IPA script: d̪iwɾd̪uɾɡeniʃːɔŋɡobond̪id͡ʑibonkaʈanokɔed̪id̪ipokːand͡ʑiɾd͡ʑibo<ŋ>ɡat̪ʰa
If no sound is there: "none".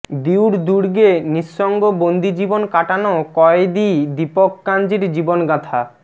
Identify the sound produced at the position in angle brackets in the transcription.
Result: n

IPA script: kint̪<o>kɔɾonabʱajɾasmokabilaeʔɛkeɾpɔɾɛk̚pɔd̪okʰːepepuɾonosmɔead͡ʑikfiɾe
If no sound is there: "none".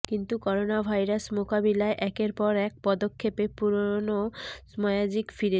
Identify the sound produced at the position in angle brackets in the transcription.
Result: u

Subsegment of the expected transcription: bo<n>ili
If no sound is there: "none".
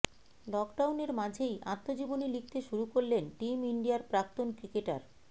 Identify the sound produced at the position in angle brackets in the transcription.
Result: n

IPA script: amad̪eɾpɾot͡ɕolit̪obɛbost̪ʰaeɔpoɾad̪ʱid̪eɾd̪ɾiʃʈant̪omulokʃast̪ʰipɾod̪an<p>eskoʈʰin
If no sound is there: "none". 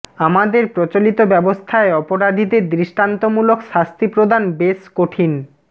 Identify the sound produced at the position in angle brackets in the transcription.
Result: b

